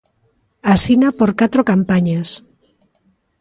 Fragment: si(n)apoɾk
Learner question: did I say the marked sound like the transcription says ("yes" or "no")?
yes